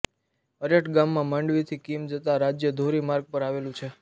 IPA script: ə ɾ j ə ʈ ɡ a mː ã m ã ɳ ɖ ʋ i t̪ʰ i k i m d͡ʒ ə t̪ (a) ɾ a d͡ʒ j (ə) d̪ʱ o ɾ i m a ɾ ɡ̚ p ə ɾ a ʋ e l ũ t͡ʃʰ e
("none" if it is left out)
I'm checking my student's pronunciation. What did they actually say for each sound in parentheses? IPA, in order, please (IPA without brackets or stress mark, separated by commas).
a, ə